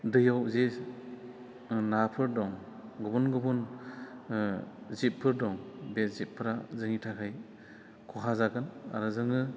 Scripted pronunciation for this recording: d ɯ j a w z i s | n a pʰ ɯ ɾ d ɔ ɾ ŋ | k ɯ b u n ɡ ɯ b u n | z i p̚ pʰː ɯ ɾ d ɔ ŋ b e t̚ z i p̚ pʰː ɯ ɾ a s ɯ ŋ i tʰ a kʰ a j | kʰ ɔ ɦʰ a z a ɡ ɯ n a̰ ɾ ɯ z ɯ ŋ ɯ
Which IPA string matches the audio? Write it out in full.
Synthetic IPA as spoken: d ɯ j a w z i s | n a pʰ ɯ ɾ d ɔ ŋ | ɡ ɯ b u n ɡ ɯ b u n | z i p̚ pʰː ɯ ɾ d ɔ ŋ b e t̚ z i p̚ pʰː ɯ ɾ a z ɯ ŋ i tʰ a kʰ a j | kʰ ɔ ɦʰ a z a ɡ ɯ n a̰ ɾ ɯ z ɯ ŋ ɯ